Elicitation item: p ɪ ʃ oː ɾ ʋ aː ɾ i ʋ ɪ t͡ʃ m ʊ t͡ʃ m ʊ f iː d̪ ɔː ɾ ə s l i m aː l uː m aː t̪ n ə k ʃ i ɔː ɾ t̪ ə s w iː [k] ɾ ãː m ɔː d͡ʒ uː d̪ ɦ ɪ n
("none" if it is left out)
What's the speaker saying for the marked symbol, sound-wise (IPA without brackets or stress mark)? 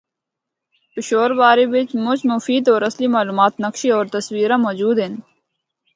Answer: none